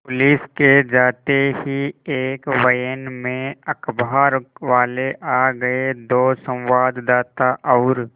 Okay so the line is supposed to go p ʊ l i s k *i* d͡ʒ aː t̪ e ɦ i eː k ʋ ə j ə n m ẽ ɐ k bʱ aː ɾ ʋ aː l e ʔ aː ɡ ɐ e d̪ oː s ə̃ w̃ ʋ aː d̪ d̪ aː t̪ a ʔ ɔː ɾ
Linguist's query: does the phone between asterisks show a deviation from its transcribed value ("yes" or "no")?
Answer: yes